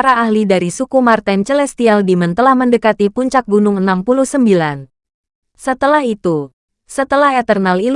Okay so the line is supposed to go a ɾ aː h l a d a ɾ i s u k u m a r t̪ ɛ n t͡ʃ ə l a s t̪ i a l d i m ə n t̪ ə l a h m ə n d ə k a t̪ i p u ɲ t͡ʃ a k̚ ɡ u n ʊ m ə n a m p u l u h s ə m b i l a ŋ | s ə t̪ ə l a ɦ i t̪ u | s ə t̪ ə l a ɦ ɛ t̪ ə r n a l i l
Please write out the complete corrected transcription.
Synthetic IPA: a ɾ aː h l i d a ɾ i s u k u m a r t̪ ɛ n t͡ʃ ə l ɛ s t̪ i a l d i m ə n t̪ ə l a h m ə n d ə k a t̪ i p u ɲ t͡ʃ a k̚ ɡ u n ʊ ŋ ə n a m p u l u h s ə m b i l a n | s ə t̪ ə l a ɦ i t̪ u | s ə t̪ ə l a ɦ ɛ t̪ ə r n a l i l